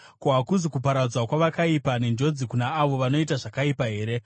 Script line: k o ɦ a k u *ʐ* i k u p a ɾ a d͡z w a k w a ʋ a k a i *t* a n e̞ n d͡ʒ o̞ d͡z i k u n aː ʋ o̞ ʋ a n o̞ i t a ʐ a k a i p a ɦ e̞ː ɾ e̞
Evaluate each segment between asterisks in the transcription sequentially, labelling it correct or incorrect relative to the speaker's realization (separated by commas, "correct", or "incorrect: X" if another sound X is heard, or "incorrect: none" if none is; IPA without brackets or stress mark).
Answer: incorrect: z, incorrect: p